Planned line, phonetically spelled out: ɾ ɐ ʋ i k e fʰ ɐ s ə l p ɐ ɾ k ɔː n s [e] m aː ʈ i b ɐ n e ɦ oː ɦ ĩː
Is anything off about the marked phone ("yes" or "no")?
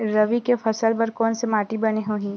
no